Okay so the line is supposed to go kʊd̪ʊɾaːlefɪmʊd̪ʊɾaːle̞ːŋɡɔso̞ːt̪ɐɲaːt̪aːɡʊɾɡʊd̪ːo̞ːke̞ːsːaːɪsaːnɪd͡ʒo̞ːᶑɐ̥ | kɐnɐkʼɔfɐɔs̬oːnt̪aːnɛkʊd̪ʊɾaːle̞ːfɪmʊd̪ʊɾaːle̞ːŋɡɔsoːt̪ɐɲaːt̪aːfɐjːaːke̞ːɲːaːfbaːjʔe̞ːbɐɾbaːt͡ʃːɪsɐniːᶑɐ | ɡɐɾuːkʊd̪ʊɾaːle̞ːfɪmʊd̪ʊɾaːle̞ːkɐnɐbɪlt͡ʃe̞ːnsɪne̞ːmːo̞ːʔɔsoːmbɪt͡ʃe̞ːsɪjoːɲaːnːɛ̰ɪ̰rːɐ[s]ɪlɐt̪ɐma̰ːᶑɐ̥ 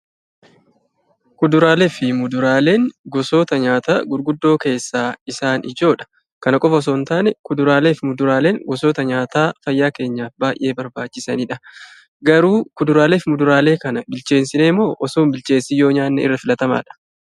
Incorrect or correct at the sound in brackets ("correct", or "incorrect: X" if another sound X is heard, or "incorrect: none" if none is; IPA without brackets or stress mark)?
incorrect: f